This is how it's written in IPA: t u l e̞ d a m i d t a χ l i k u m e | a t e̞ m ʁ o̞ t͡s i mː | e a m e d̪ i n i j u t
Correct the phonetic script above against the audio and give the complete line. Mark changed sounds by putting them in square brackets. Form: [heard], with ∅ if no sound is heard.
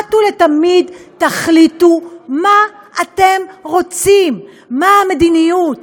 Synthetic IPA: t u l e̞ [t] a m i d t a χ l i [t] u m [a] | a t e̞ m ʁ o̞ t͡s i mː | [a] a m e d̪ i n i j u t